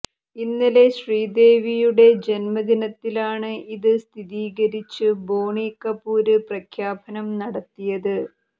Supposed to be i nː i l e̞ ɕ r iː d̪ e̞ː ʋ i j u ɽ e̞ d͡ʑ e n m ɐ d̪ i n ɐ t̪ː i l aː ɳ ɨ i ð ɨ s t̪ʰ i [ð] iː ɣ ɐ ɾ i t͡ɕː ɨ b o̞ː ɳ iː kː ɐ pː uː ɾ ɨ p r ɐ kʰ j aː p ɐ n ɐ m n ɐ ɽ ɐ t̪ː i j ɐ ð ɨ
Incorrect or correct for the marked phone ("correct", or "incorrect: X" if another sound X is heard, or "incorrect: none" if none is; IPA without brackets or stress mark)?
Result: correct